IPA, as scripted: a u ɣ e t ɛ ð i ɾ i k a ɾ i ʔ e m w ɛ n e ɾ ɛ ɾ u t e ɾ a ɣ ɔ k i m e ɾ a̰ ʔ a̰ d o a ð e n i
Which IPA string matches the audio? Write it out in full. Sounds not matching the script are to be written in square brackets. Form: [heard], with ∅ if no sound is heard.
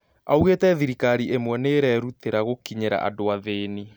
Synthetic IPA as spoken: a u ɣ e t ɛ ð i ɾ i k a ɾ i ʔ e m w ɛ n e ɾ ɛ ɾ u t e ɾ a ɣ [o] k i [ɲ] e ɾ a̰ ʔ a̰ d o a ð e n i